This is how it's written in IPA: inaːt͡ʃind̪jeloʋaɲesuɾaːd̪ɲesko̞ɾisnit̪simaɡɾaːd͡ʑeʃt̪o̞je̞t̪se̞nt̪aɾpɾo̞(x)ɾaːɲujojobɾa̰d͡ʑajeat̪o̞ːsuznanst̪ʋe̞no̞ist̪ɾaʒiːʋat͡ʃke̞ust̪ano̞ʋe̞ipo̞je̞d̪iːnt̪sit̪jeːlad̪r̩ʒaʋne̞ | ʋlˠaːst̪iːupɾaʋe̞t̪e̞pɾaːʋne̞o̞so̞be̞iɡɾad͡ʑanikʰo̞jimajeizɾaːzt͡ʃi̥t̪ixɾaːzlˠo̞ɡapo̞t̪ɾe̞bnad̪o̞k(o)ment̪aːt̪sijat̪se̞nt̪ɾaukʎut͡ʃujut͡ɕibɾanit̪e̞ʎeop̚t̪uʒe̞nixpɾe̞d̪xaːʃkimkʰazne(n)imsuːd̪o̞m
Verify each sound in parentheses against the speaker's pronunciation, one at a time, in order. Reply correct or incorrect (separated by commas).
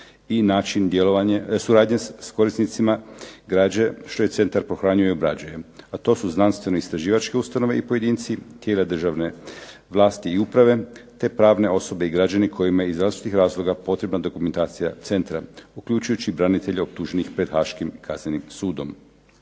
correct, incorrect, correct